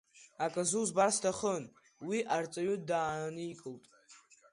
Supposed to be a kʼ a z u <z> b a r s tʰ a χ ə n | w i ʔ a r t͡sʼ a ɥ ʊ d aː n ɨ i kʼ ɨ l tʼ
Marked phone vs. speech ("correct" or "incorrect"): correct